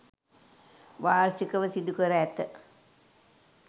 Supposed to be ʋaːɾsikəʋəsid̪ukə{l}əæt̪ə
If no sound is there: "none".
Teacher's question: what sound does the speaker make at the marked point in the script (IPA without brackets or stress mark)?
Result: ɾ